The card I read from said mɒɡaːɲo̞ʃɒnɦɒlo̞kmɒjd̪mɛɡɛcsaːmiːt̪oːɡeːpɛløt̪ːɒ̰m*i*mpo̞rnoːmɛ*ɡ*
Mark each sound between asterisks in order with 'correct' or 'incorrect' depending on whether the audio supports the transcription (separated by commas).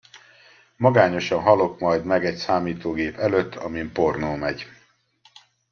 correct, incorrect